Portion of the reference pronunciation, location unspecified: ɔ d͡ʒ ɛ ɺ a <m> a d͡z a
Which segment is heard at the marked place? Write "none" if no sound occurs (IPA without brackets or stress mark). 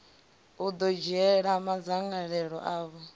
m